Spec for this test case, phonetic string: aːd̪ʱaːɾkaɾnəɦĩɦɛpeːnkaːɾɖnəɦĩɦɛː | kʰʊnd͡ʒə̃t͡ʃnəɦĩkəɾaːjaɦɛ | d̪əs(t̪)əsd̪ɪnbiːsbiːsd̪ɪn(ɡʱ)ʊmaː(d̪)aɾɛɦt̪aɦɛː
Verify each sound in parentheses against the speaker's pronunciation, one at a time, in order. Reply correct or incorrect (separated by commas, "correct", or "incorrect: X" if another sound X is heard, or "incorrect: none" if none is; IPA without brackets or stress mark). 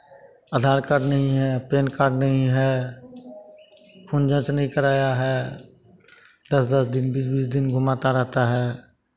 incorrect: d̪, correct, incorrect: t̪